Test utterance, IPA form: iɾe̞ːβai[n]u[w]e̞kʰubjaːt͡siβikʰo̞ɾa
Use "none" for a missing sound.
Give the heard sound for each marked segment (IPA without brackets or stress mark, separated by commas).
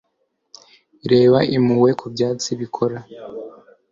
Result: m, w